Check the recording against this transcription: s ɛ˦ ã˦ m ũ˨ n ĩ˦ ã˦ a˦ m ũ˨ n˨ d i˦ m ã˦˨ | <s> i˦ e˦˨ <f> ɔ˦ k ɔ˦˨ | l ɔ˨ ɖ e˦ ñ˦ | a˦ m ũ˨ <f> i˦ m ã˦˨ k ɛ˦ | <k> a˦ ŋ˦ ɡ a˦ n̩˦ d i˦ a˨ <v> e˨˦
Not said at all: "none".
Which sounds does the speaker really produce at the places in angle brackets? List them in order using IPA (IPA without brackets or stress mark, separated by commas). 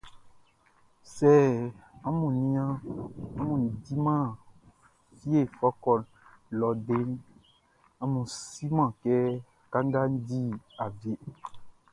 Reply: f, f, s, k, v